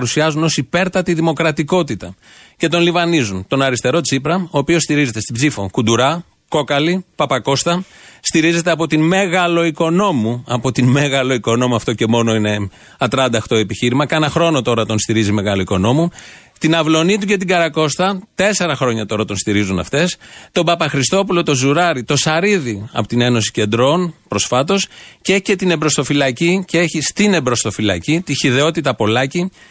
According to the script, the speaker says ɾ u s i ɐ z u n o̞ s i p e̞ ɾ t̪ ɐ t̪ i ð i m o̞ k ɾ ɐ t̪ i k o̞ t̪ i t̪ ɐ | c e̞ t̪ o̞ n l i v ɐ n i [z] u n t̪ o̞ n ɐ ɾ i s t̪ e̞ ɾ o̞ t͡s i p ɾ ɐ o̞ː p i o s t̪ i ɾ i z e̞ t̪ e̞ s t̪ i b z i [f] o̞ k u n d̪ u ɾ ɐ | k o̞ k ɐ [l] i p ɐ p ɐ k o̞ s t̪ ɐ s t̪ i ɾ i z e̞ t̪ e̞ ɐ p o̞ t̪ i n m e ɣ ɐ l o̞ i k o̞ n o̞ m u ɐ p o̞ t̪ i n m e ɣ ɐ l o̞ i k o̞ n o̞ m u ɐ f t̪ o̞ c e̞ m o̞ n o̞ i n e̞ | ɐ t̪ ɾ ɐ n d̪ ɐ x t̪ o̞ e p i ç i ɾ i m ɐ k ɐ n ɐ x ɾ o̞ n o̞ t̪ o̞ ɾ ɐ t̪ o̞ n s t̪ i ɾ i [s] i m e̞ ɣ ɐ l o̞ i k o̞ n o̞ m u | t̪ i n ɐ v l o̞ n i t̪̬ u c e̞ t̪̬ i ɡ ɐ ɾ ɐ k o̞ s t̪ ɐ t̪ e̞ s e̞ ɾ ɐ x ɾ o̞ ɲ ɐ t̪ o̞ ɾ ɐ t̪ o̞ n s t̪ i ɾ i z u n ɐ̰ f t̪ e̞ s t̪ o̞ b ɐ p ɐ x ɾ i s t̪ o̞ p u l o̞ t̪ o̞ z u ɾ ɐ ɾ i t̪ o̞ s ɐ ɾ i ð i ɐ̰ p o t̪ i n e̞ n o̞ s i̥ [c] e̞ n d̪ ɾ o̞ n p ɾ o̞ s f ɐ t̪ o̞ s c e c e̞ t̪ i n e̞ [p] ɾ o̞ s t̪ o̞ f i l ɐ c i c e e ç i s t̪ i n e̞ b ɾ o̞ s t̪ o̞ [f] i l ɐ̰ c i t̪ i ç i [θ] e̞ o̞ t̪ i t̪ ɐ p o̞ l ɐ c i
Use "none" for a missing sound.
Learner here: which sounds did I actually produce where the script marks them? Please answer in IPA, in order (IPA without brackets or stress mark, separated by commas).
z, f, l, z, c, b, f, ð